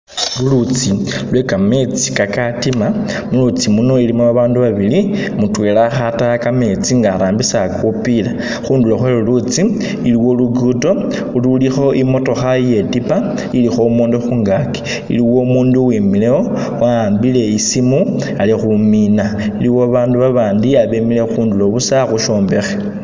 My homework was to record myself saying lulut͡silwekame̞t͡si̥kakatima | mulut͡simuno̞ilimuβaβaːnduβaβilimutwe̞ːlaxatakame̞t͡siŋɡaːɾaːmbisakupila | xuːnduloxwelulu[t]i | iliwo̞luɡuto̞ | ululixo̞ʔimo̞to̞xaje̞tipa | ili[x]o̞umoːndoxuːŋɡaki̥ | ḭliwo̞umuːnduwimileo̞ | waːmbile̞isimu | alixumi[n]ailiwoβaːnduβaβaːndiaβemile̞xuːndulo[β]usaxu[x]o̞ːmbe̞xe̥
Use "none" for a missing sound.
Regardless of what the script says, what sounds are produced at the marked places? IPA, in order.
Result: t͡s, x, n, β, ʃ

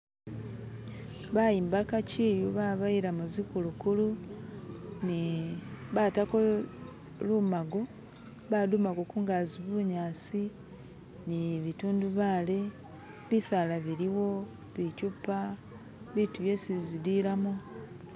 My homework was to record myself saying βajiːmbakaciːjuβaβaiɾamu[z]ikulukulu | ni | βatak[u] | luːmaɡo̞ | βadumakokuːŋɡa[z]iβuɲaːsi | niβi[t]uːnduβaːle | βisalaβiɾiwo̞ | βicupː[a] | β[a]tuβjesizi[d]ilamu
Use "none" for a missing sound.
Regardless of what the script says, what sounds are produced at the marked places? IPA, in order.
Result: z, o, z, t, a, i, d

